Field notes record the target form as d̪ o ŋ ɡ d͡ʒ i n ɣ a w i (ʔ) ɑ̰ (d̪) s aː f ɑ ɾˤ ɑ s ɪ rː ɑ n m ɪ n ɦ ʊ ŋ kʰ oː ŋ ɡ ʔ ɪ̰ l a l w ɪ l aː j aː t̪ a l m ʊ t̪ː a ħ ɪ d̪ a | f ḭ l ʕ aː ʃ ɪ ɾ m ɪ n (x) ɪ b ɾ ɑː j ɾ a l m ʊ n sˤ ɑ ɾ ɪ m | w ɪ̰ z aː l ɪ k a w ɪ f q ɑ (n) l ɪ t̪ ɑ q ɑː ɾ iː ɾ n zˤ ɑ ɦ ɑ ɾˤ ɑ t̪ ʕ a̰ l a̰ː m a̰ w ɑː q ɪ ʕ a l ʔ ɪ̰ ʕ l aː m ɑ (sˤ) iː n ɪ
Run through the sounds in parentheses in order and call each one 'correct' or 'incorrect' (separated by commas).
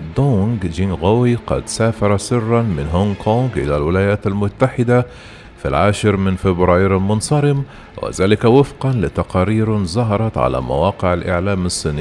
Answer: incorrect, correct, incorrect, correct, incorrect